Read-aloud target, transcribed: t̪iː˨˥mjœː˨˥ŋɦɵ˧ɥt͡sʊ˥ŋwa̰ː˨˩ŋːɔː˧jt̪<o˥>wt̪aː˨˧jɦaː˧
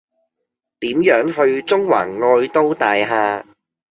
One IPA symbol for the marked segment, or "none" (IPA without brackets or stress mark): o˥